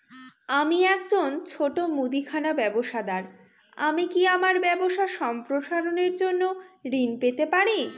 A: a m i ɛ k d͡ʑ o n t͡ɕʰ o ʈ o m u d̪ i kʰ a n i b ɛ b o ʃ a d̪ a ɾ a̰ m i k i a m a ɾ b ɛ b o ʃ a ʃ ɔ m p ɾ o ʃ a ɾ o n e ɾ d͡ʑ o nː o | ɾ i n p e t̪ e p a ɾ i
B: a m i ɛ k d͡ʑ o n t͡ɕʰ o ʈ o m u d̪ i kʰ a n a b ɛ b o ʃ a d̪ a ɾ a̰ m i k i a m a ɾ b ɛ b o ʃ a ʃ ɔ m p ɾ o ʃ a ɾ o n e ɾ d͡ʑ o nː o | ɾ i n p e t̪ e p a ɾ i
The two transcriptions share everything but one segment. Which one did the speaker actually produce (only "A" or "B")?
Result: B